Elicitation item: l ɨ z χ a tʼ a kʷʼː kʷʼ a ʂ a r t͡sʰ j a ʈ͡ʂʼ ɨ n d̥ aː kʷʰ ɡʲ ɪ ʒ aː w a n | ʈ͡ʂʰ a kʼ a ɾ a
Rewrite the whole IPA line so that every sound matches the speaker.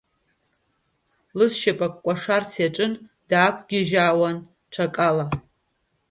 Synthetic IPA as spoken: l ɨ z ʃ a pʼ a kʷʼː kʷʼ a ʂ a r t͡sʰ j a ʈ͡ʂʼ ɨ n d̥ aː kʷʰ ɡʲ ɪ ʒ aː w a n | ʈ͡ʂʰ a kʼ a l a

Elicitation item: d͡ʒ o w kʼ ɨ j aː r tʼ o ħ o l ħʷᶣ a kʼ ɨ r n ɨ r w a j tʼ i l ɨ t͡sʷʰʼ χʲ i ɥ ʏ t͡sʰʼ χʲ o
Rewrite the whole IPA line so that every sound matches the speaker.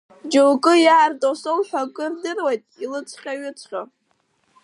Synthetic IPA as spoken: d͡ʒ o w kʼ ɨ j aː r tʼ o s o l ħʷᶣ a kʼ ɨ r d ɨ r w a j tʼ i l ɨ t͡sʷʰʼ χʲ a ɥ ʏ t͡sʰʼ χʲ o

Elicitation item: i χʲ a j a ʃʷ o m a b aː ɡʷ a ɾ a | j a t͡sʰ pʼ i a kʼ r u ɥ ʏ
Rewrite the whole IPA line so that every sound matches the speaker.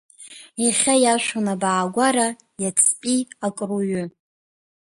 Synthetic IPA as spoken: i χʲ a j a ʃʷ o n a b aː ɡʷ a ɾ a | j a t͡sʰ pʼ i a kʼ r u ɥ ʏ

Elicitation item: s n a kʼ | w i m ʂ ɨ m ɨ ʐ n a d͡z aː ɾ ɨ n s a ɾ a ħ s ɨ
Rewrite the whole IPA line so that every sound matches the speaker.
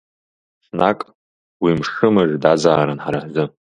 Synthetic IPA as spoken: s n a kʼ | w i m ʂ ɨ m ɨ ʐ d a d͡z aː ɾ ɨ n ħ a ɾ a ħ z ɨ

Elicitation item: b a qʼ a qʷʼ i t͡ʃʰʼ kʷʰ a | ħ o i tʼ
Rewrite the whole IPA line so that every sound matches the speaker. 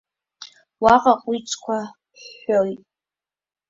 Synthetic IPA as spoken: w a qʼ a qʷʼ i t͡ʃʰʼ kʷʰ a | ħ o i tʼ

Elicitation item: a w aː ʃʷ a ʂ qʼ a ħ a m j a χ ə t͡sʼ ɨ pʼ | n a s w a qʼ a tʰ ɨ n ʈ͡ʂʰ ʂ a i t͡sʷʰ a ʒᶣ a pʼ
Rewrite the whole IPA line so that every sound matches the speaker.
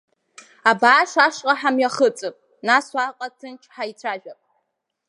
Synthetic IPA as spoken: a b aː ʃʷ a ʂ qʼ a ħ a m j a χ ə t͡sʼ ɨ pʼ | n a s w a qʼ a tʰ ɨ n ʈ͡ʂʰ ħ a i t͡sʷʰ a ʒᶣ a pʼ

